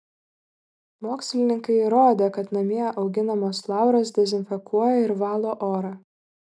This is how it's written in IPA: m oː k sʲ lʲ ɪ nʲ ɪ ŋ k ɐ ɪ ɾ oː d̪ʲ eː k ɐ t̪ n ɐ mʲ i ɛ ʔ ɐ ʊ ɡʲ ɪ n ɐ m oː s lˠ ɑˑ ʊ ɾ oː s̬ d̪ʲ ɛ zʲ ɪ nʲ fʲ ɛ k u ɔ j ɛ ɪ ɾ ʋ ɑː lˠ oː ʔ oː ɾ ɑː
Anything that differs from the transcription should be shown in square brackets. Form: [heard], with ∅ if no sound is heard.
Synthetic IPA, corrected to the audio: m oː k sʲ lʲ ɪ nʲ ɪ ŋ k ɐ ɪ ɾ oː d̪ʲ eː k ɐ t̪ n ɐ mʲ i ɛ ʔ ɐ ʊ ɡʲ ɪ n ɐ m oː s lˠ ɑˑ ʊ ɾ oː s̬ d̪ʲ ɛ zʲ ɪ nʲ fʲ ɛ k u ɔ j ɛ ɪ ɾ ʋ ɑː lˠ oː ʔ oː ɾ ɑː